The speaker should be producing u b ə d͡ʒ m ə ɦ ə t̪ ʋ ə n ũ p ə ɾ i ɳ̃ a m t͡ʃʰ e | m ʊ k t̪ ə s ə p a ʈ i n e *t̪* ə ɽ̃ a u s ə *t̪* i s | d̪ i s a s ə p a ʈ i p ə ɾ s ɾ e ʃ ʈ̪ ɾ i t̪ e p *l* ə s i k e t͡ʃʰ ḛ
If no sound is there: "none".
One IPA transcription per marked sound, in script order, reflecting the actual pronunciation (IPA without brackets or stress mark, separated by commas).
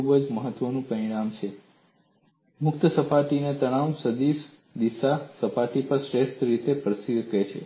t̪, d̪, ɾ